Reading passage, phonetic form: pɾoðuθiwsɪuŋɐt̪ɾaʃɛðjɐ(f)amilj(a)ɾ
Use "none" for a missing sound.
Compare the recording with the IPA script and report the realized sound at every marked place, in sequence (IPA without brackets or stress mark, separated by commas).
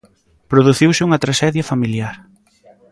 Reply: f, a